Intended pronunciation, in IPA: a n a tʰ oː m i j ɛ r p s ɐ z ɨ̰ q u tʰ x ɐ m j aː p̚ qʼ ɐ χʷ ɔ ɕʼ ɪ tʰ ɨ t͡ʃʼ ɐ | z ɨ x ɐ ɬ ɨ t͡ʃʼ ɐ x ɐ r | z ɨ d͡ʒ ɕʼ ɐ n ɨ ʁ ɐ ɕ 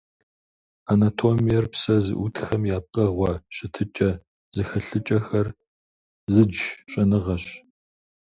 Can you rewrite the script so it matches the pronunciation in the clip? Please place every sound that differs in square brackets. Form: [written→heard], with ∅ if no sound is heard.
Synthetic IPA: a n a tʰ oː m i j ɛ r p s ɐ z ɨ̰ [q→ʔ] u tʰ x ɐ m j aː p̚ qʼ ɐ [χʷ→ʁʷ] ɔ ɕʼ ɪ tʰ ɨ t͡ʃʼ ɐ | z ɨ x ɐ ɬ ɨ t͡ʃʼ ɐ x ɐ r | z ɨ d͡ʒ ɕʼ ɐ n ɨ ʁ ɐ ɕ